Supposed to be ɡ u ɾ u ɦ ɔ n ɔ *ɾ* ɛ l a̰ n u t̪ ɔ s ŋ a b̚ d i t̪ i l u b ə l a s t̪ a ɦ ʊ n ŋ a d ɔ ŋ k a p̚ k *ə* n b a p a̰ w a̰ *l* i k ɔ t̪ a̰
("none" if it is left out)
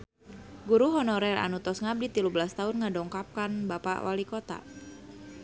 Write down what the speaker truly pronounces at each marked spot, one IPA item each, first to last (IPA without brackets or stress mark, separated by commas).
ɾ, a, l